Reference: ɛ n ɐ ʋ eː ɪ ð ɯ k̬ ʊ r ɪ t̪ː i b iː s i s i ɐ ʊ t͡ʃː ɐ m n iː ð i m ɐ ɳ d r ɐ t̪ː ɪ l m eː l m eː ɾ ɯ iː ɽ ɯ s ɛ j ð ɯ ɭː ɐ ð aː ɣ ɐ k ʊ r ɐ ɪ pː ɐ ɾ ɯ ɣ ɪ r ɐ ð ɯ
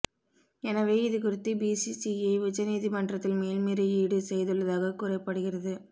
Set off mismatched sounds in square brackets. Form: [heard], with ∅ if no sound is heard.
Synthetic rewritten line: ɛ n ɐ ʋ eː ɪ ð ɯ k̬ ʊ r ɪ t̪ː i b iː s i s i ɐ ʊ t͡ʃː ɐ [∅] n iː ð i m ɐ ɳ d r ɐ t̪ː ɪ l m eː l m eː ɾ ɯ iː ɽ ɯ s ɛ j ð ɯ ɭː ɐ ð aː ɣ ɐ k ʊ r ɐ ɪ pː ɐ [ɽ] ɯ ɣ ɪ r ɐ ð ɯ